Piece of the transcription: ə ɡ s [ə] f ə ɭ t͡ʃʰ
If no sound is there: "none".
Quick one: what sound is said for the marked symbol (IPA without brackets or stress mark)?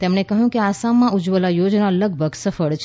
ə